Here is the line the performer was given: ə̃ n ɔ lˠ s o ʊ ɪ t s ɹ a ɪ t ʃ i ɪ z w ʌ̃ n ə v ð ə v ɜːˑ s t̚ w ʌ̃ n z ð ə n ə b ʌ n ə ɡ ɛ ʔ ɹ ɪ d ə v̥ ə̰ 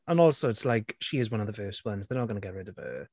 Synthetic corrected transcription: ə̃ n ɔ lˠ s o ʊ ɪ t s l a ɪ k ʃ i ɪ z w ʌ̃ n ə v ð ə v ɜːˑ s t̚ w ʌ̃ n z ð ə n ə ɡ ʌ n ə ɡ ɛ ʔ ɹ ɪ d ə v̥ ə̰